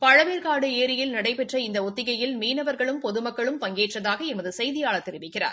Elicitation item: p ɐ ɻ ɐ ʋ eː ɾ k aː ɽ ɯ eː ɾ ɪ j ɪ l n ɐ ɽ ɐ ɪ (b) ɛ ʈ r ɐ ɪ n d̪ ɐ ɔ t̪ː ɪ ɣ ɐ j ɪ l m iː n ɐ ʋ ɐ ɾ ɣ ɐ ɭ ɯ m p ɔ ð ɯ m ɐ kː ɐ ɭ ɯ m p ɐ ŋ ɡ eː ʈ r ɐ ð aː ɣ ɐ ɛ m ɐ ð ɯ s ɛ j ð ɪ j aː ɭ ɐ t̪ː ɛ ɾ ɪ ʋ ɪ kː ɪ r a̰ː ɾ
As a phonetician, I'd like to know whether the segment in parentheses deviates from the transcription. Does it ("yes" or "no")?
yes